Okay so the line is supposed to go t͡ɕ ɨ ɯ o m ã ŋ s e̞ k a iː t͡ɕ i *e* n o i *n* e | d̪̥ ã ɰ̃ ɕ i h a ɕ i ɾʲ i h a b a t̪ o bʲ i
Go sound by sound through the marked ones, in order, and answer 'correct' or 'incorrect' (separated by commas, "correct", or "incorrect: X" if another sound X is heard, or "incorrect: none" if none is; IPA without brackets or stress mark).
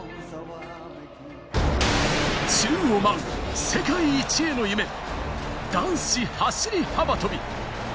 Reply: correct, incorrect: m